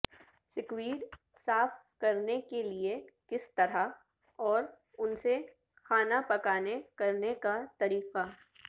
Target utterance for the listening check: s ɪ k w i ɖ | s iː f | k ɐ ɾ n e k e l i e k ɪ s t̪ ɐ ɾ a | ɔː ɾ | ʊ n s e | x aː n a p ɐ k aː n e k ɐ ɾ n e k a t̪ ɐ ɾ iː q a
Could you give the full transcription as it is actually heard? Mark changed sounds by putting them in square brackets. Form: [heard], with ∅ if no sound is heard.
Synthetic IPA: s ɪ k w [iː] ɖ | s [aː] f | k ɐ ɾ n e k e l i e k ɪ s t̪ ɐ ɾ a | ɔː ɾ | ʊ n s e | x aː n a p ɐ k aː n e k ɐ ɾ n e k a t̪ ɐ ɾ iː q a